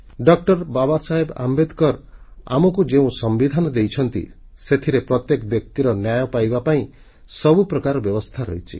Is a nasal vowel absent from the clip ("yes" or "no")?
no